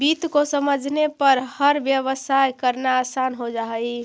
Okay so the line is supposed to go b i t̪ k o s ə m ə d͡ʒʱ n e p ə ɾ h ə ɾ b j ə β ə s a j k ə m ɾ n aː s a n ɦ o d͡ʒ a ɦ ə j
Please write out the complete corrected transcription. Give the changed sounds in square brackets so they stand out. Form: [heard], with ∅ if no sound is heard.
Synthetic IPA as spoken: b i t̪ k o s ə m ə d͡ʒʱ n e p ə ɾ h ə ɾ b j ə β ə s a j k ə [∅] ɾ n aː s a n ɦ o d͡ʒ a ɦ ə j

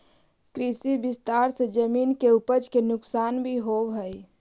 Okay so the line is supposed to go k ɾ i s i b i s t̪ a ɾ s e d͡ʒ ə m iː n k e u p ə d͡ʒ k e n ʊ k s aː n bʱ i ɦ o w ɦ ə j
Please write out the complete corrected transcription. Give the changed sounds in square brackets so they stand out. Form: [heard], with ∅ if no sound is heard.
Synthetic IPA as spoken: k ɾ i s i b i s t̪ a ɾ s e d͡ʒ ə m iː n k e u p ə d͡ʒ k e n ʊ k s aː n bʱ i ɦ o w ɦ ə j

